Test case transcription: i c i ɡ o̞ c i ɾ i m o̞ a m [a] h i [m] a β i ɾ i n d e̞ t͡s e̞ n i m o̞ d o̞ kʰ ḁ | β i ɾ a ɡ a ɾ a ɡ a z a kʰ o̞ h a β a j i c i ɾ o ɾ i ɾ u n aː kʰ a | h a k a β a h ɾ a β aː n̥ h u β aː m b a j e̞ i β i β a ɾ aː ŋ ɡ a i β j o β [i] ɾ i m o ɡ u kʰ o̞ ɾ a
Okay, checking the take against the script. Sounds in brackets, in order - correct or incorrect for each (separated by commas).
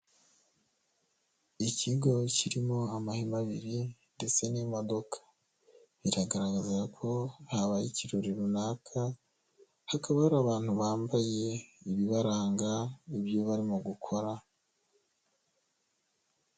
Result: correct, correct, incorrect